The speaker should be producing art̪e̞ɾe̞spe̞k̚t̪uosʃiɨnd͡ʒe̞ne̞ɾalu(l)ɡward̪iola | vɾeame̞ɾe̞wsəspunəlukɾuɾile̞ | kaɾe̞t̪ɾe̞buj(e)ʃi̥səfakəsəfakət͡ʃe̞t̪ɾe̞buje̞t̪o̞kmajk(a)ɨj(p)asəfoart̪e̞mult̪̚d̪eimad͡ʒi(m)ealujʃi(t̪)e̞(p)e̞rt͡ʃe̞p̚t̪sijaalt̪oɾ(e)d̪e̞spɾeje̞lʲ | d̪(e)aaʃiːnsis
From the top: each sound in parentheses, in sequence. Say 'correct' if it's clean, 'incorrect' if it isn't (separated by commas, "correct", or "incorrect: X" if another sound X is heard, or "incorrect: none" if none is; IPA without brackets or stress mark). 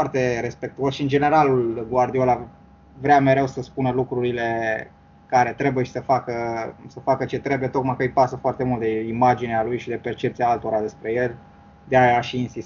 correct, correct, incorrect: ə, correct, incorrect: n, incorrect: d̪, correct, incorrect: a, correct